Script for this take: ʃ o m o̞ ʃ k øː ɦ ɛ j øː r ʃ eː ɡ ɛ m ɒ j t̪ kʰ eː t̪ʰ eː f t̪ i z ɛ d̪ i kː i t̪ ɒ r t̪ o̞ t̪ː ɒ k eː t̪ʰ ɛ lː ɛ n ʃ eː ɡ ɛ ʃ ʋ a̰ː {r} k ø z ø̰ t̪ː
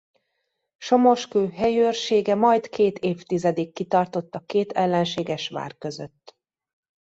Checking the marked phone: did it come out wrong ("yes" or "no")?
no